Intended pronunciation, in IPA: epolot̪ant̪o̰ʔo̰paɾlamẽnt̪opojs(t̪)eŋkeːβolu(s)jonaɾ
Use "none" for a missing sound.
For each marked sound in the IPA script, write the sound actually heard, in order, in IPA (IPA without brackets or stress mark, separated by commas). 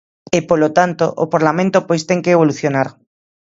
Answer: t̪, θ